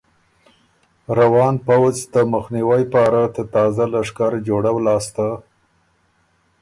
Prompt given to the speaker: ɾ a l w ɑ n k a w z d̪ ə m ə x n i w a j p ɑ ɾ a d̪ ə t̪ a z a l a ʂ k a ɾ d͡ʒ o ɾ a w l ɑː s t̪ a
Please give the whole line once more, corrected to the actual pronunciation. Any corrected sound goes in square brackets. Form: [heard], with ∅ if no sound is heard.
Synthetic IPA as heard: ɾ a [∅] w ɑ n [p] a w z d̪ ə m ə x n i w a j p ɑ ɾ a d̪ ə t̪ [ɑ] z a l a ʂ k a ɾ d͡ʒ o [ɽ] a w l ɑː s t̪ a